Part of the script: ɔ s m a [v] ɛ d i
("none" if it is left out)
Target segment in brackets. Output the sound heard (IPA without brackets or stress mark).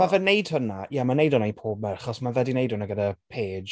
v